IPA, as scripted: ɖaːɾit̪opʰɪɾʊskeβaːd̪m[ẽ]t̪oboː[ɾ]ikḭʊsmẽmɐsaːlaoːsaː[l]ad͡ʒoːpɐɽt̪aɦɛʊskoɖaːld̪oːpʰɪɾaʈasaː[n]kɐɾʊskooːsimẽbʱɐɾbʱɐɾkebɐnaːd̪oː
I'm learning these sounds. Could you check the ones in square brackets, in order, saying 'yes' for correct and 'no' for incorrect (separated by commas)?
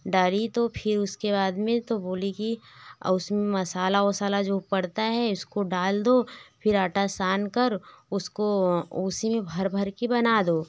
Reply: yes, no, yes, yes